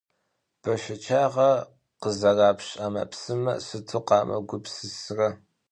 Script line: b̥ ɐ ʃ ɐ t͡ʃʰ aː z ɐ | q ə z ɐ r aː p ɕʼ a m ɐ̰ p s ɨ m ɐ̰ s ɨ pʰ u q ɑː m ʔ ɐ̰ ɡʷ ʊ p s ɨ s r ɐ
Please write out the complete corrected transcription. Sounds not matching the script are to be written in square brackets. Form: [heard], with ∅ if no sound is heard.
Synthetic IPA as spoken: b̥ ɐ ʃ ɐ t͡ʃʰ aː [ʁ] ɐ | q ə z ɐ r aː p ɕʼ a m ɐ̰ p s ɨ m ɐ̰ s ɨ [tʰ] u q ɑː m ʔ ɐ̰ ɡʷ ʊ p s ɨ s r ɐ